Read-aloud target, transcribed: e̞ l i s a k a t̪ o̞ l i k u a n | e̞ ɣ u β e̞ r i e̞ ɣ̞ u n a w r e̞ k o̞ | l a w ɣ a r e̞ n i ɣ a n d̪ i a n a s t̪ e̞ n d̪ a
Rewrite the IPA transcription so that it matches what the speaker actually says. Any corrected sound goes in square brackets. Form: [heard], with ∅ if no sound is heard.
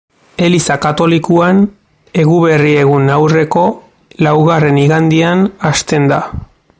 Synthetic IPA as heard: e̞ l i s a k a t̪ o̞ l i k u a n | e̞ ɣ u β e̞ r i e̞ ɣ̞ u n a w r e̞ k o̞ | l a w ɣ a r e̞ n i ɣ a n d̪ i a n a s t̪ e̞ n d̪ a